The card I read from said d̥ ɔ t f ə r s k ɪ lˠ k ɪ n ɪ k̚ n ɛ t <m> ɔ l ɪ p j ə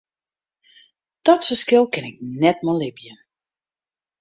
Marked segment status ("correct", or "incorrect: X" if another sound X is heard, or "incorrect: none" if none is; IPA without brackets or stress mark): correct